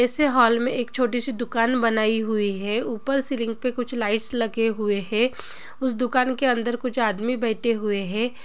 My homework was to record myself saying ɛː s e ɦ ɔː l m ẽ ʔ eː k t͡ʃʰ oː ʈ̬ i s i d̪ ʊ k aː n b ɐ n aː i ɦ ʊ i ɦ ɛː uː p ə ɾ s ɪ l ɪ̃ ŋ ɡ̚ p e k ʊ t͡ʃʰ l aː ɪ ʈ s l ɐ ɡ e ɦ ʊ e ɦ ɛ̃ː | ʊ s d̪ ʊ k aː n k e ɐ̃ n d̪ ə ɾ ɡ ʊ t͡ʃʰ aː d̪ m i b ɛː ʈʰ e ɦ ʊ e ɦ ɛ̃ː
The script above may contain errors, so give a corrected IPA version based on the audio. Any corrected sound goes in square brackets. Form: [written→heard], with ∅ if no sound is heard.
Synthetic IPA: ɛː s e ɦ ɔː l m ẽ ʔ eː k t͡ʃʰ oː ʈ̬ i s i d̪ ʊ k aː n b ɐ n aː i ɦ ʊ i ɦ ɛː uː p ə ɾ s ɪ l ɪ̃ ŋ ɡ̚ p e k ʊ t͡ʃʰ l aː ɪ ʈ s l ɐ ɡ e ɦ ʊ e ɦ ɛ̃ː | ʊ s d̪ ʊ k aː n k e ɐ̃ n d̪ ə ɾ [ɡ→k] ʊ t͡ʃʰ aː d̪ m i b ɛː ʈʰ e ɦ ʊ e ɦ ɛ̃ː